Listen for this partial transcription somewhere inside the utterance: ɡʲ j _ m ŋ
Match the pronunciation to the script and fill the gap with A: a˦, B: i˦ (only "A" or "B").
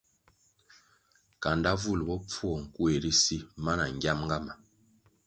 A